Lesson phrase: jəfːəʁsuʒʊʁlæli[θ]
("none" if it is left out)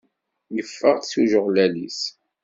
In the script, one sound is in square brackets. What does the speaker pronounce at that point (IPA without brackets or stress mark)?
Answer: s